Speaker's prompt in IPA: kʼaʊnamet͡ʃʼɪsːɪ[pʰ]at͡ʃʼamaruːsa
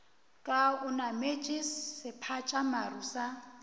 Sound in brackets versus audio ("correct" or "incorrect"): correct